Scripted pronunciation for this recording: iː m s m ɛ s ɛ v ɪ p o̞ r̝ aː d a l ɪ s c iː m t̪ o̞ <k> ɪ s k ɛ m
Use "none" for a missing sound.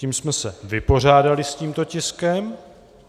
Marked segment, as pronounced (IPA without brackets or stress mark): c